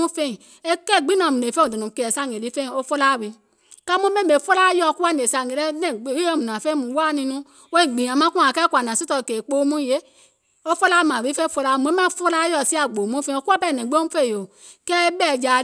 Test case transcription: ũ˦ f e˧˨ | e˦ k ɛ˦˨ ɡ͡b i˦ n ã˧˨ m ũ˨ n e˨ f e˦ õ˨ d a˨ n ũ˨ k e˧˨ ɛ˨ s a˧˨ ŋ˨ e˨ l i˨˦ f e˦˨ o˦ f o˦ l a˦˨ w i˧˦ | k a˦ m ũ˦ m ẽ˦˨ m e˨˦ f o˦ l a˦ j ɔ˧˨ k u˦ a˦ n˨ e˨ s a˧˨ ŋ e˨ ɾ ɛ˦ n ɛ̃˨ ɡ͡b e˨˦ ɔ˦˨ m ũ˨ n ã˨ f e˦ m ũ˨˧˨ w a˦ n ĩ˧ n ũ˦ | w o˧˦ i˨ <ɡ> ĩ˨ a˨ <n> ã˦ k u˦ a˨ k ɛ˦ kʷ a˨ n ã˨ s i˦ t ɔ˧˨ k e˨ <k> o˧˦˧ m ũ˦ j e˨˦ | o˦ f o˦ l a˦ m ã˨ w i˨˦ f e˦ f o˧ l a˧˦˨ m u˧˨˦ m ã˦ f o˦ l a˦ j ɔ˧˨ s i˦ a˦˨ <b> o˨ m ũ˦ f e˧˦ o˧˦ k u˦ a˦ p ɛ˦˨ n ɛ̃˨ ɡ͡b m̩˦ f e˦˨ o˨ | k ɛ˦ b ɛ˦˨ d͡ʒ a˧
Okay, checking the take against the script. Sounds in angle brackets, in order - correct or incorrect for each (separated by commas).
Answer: incorrect, incorrect, incorrect, incorrect